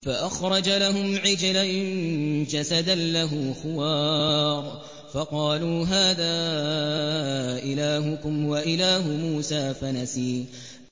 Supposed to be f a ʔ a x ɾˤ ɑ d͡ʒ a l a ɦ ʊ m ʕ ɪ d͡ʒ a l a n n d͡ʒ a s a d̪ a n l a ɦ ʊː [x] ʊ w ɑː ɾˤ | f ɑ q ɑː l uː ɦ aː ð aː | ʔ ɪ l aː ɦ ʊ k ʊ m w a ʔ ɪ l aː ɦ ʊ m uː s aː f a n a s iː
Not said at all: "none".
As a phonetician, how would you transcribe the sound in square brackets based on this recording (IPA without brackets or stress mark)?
x